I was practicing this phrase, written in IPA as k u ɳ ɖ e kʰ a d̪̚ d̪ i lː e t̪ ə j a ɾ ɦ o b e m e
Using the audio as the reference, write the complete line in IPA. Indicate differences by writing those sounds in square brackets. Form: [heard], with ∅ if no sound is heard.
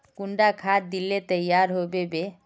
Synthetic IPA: k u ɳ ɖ [a] kʰ a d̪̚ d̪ i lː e t̪ ə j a ɾ ɦ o b e [b] e

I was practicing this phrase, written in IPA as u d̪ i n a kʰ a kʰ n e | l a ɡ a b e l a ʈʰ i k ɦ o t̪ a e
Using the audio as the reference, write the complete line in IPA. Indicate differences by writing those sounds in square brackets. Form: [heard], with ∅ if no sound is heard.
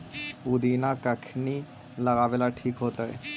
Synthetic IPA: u d̪ i n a [k] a kʰ n [i] | l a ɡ a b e l a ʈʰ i k ɦ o t̪ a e

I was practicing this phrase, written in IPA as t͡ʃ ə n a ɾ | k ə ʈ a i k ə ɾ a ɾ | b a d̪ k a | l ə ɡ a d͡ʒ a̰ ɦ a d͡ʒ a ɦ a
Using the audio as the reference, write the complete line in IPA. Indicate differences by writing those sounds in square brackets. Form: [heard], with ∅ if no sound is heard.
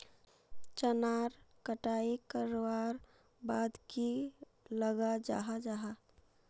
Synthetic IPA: t͡ʃ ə n a ɾ | k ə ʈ a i k ə ɾ a ɾ | b a d̪ k [i] | l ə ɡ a d͡ʒ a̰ ɦ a d͡ʒ a ɦ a

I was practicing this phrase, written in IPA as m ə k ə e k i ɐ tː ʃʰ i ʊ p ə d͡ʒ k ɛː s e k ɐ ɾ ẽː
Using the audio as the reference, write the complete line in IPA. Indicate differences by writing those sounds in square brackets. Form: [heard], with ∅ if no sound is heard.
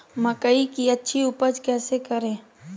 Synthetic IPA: m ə k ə [i] k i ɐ tː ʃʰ i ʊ p ə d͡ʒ k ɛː s e k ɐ ɾ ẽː

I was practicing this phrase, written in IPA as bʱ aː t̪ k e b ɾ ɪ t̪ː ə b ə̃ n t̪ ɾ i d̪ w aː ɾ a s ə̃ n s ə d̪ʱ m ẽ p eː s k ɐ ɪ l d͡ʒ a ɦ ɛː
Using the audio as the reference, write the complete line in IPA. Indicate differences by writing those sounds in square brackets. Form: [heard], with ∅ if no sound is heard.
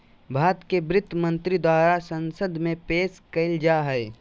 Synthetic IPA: bʱ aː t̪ k e b ɾ ɪ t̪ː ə [m] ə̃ n t̪ ɾ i d̪ w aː ɾ a s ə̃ n s ə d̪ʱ m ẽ p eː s k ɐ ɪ l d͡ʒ a ɦ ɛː

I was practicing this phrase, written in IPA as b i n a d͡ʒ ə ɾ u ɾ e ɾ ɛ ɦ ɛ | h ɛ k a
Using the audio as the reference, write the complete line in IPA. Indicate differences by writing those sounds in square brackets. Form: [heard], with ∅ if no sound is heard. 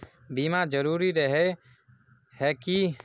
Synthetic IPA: b i [m] a d͡ʒ ə ɾ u ɾ [i] ɾ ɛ ɦ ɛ | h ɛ k [i]

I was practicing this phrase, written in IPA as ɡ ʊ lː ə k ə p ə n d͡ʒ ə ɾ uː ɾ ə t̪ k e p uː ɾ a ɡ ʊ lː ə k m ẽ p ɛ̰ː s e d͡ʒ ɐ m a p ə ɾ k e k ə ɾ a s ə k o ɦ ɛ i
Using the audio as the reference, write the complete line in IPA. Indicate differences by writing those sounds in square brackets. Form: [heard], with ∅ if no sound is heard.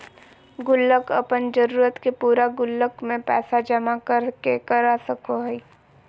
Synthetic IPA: ɡ ʊ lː ə k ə p ə n d͡ʒ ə ɾ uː ɾ ə t̪ k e p uː ɾ a ɡ ʊ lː ə k m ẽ p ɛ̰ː s [a] d͡ʒ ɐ m a [k] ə ɾ k e k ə ɾ a s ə k o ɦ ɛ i

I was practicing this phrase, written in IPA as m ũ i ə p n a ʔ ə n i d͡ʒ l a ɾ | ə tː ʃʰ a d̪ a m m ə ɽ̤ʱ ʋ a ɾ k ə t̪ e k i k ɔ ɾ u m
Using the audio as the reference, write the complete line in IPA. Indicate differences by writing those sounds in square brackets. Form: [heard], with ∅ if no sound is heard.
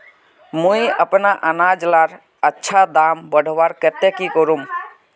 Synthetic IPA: m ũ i ə p n a ʔ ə n [a] d͡ʒ l a ɾ | ə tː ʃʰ a d̪ a m [b] ə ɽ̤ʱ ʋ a ɾ k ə t̪ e k i k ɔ ɾ u m

